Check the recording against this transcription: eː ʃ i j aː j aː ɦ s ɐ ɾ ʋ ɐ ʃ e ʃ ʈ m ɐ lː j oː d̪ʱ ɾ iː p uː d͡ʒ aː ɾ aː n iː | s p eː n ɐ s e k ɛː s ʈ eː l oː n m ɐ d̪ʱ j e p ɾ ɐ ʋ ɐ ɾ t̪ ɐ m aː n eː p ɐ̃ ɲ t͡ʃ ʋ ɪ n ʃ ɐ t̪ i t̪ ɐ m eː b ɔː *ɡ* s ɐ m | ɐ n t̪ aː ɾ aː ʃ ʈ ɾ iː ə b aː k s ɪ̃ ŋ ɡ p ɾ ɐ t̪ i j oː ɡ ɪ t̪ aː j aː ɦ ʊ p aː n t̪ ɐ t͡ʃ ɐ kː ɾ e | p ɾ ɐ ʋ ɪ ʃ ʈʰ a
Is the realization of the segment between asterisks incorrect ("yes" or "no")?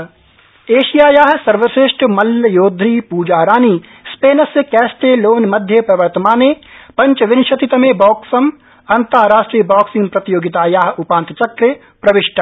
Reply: yes